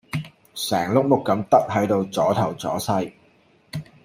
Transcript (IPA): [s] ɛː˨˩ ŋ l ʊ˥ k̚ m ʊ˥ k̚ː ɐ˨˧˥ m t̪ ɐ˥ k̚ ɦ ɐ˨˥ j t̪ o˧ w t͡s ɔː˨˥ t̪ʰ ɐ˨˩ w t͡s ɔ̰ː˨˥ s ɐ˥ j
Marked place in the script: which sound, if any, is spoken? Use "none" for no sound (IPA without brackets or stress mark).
s